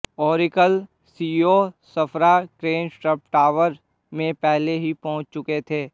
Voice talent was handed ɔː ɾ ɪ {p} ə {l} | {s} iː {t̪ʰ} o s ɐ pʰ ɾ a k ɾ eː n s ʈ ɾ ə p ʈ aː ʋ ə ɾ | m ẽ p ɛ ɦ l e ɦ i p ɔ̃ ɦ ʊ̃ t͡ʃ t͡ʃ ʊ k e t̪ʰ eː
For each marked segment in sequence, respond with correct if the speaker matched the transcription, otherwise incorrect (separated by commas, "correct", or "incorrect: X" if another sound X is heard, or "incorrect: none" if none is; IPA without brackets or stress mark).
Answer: incorrect: k, correct, correct, incorrect: none